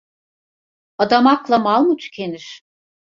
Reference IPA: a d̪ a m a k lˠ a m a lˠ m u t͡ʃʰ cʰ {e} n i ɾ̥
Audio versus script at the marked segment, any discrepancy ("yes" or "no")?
no